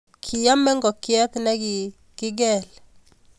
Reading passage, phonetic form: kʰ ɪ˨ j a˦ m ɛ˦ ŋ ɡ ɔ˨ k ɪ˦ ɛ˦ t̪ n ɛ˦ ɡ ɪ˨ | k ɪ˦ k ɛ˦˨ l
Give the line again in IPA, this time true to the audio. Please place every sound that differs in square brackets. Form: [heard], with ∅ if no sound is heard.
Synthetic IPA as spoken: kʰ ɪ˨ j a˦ m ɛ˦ ŋ ɡ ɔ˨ k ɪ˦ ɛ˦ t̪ n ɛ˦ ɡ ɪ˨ | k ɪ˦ [ɡ] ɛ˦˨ l